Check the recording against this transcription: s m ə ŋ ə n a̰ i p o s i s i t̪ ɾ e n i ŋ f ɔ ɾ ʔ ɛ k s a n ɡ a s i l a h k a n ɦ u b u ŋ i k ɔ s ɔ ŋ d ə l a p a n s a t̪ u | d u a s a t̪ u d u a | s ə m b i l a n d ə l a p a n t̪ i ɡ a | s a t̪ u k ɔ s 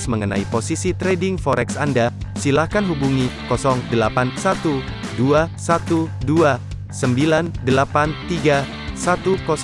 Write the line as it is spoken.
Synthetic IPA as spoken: s m ə ŋ ə n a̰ i p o s i s i t̪ ɾ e d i ŋ f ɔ ɾ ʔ ɛ k s a n d a s i l a h k a n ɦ u b u ŋ i k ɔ s ɔ ŋ d ə l a p a n s a t̪ u | d u a s a t̪ u d u a | s ə m b i l a n d ə l a p a n t̪ i ɡ a | s a t̪ u k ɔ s